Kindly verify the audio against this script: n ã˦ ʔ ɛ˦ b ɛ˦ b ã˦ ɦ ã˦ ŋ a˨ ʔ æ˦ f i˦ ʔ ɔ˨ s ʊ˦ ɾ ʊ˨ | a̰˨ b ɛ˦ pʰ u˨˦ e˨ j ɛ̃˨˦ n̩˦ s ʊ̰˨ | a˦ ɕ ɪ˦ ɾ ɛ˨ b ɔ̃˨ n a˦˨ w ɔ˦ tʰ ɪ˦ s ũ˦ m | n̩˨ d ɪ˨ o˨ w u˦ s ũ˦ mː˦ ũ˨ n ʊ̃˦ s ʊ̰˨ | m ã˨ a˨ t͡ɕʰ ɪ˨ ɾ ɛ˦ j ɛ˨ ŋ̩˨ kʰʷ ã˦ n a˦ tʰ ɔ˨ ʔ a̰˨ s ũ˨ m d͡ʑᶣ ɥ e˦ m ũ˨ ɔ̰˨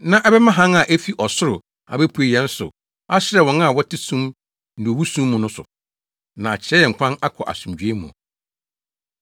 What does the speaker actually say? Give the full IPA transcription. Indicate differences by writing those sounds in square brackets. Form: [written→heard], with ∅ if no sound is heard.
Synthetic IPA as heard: n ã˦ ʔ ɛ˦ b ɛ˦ [b→m] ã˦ ɦ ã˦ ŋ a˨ ʔ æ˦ f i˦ ʔ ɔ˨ s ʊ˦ ɾ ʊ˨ | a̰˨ b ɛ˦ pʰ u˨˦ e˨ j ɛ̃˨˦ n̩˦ s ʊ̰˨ | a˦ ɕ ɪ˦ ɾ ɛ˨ [b→w] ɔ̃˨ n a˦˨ w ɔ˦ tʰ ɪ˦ s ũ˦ m | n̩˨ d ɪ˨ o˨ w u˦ s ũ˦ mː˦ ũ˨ n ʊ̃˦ s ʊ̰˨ | [m→n] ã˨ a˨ t͡ɕʰ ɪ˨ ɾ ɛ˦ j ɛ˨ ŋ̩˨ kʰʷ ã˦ n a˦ [tʰ→kʰ] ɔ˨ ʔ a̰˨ s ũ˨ m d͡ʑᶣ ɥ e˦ m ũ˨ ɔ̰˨

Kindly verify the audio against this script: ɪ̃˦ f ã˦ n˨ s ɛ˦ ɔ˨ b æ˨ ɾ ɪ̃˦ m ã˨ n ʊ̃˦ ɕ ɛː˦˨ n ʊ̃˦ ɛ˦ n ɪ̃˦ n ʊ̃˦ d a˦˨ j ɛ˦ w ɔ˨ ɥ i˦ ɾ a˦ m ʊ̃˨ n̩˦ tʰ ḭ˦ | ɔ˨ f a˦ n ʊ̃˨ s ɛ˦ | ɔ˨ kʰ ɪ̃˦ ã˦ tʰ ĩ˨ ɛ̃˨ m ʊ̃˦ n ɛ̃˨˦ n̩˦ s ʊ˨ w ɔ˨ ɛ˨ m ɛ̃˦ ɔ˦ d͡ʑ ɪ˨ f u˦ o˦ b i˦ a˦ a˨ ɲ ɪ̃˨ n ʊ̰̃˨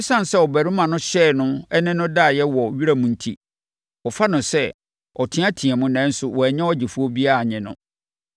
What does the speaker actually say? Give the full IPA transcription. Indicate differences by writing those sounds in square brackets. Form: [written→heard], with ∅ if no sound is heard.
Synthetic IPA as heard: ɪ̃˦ [f→s] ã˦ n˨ s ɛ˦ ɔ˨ b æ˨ ɾ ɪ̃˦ m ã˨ n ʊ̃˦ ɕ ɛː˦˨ n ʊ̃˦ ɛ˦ n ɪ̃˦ n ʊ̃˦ d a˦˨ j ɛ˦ w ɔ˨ ɥ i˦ ɾ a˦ m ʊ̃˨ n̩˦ tʰ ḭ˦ | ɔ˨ f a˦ n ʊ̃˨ s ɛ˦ | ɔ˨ [kʰ→tʰ] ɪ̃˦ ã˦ tʰ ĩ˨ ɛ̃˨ m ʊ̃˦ n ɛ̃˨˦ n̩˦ s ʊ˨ w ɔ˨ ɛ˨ [m→ɲ] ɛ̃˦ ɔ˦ d͡ʑ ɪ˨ f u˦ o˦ b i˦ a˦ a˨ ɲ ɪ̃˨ n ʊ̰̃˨

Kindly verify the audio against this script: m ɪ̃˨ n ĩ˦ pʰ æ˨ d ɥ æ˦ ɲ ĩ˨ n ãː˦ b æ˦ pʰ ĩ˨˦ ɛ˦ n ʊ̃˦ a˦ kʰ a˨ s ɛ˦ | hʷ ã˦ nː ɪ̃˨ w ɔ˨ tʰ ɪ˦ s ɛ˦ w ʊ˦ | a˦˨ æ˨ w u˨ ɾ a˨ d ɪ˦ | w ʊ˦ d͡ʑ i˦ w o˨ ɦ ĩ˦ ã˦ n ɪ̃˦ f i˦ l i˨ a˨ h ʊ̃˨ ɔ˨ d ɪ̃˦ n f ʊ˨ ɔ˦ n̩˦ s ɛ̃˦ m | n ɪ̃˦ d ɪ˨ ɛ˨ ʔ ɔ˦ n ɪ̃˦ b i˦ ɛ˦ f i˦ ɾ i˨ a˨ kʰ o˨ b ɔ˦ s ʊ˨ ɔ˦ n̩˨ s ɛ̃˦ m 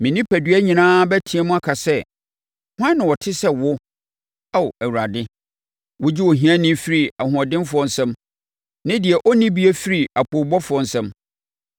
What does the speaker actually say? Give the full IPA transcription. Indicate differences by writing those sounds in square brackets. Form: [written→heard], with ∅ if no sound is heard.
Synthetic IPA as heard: m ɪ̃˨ n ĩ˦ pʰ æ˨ d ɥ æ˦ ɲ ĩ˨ n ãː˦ b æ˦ [pʰ→tʰ] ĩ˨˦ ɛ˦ [n→m] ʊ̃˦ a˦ kʰ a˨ s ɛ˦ | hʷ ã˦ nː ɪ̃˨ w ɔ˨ tʰ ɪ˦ s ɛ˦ w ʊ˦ | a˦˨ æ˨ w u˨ ɾ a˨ d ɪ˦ | w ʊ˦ d͡ʑ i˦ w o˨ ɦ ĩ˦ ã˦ n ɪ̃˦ f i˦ [l→ɾ] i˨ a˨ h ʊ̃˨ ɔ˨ d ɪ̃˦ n f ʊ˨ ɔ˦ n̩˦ s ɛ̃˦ m | n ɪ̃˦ d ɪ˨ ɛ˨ ʔ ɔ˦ n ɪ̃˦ b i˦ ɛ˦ f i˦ ɾ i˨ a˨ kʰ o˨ b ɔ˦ [s→f] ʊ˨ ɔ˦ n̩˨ s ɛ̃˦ m

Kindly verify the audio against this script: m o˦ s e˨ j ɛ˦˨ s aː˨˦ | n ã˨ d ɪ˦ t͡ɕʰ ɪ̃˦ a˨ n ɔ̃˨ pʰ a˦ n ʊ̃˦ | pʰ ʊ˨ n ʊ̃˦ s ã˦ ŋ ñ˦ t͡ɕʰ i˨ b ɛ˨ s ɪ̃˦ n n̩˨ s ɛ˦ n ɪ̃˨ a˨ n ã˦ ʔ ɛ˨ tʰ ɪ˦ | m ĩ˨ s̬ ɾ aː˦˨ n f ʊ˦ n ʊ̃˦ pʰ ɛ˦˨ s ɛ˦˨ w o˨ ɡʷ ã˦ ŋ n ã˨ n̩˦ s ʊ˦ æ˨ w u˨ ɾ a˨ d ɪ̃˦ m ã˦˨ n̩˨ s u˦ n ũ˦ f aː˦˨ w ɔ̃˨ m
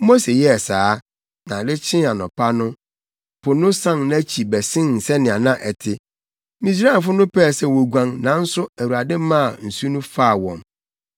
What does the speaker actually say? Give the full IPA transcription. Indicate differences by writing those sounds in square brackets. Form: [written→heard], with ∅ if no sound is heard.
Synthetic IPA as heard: m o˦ s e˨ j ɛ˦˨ s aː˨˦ | n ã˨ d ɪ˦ t͡ɕʰ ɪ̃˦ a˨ n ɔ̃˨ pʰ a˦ n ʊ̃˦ | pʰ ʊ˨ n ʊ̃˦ s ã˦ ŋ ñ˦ t͡ɕʰ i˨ b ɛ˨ s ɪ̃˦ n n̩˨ s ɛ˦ n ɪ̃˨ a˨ n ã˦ ʔ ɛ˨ tʰ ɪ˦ | m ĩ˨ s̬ ɾ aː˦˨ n f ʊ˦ n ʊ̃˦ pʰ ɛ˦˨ s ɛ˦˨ w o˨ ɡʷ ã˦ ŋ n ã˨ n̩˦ s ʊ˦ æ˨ w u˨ ɾ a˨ d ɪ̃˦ m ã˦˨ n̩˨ s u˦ n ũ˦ f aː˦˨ w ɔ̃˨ m

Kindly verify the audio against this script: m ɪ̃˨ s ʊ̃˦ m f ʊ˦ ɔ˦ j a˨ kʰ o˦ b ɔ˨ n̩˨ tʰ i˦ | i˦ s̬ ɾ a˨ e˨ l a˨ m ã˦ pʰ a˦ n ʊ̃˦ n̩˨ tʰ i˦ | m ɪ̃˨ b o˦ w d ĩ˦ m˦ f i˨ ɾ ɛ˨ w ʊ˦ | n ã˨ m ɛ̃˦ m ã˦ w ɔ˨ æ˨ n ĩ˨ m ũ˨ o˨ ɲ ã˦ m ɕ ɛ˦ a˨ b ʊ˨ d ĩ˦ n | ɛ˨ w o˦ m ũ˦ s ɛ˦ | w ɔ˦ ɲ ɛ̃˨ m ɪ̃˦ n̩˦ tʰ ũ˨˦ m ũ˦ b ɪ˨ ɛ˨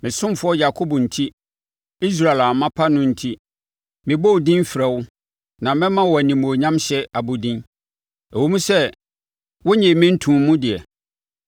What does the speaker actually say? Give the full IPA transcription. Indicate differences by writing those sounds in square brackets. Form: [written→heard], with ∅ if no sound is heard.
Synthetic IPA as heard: m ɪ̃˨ s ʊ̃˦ m f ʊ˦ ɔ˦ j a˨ kʰ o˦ b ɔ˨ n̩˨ tʰ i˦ | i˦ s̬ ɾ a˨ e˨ l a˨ m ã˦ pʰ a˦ n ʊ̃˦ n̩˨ tʰ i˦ | m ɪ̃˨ b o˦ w d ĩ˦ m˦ f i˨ ɾ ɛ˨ w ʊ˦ | n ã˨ m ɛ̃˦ m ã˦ w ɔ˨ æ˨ n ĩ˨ m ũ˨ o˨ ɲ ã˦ m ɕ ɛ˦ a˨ b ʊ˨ d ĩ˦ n | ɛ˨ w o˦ m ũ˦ s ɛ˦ | w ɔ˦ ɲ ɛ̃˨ m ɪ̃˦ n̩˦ tʰ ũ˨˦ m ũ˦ [b→d] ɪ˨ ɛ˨

